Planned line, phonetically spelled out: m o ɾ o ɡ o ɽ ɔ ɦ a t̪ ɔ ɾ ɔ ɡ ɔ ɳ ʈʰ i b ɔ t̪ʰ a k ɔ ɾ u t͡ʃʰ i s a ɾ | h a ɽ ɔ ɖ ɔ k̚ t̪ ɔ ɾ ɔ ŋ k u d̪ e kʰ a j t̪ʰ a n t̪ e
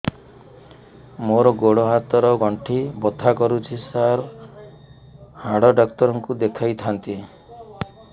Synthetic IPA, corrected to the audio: m o ɾ ɔ ɡ o ɽ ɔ ɦ a t̪ ɔ ɾ ɔ ɡ ɔ ɳ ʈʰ i b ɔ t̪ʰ a k ɔ ɾ u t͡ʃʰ i s a ɾ | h a ɽ ɔ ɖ ɔ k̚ t̪ ɔ ɾ ɔ ŋ k u d̪ e kʰ a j t̪ʰ a n t̪ i